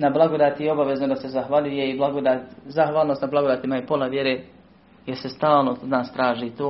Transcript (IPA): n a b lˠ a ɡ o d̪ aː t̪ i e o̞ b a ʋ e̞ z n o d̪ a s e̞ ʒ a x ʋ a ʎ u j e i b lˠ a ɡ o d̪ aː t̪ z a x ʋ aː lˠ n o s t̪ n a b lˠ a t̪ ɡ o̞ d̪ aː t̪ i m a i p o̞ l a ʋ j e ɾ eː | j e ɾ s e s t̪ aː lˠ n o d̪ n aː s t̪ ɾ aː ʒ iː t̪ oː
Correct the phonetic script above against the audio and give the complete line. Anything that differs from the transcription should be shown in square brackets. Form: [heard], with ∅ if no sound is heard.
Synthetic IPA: n a b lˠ a ɡ o d̪ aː t̪ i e o̞ b a ʋ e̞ z n o d̪ a s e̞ [z] a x ʋ a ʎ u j e i b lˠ a ɡ o d̪ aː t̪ z a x ʋ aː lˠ n o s t̪ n a b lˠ a [∅] ɡ o̞ d̪ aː t̪ i m a i p o̞ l a ʋ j e ɾ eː | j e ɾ s e s t̪ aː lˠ n o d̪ n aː s t̪ ɾ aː ʒ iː t̪ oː